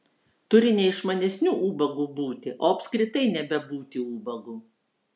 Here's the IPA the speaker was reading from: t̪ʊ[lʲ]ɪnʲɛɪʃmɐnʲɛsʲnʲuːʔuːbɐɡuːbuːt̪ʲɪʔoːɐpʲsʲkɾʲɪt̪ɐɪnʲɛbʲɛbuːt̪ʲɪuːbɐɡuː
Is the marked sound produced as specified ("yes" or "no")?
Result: no